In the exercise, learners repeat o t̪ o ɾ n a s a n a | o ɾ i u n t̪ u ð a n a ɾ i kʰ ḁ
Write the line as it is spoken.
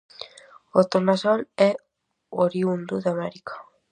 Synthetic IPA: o t̪ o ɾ n a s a n e | o ɾ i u n d̪ u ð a m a ɾ i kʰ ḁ